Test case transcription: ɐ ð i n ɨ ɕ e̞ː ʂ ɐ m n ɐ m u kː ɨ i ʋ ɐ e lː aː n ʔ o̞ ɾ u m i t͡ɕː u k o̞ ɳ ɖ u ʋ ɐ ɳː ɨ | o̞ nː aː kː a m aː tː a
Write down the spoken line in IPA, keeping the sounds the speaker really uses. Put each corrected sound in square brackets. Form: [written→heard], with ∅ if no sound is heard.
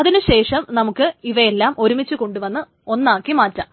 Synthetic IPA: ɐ ð i n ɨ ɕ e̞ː ʂ ɐ m n ɐ m u kː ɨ i ʋ ɐ e lː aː [n→m] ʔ o̞ ɾ u m i t͡ɕː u k o̞ ɳ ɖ u ʋ ɐ [ɳː→nː] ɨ | o̞ nː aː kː [a→i] m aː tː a